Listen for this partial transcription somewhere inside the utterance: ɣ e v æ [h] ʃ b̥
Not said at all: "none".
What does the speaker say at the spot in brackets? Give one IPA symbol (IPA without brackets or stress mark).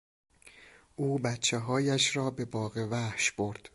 h